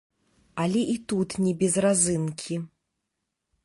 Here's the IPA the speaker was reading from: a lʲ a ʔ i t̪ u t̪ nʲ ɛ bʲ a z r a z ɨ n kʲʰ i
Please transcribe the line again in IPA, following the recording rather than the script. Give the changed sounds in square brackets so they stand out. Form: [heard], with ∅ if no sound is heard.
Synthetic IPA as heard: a lʲ [ɛ] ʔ i t̪ u t̪ nʲ ɛ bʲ [ɛ] z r a z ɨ n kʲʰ i